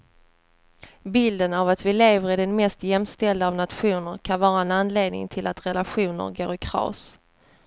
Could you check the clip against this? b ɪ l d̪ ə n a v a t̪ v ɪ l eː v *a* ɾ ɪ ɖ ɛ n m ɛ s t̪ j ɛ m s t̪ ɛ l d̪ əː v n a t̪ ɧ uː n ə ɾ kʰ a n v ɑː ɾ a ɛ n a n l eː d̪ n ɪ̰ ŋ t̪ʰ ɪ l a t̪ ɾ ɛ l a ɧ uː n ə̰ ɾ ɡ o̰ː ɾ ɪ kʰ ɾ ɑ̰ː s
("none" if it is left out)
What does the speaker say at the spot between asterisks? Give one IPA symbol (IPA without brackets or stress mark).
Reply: ə